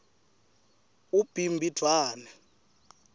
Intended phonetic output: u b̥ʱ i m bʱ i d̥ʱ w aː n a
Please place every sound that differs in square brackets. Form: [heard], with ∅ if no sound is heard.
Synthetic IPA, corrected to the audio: u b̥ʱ i m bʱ i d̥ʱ w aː n [ɛ]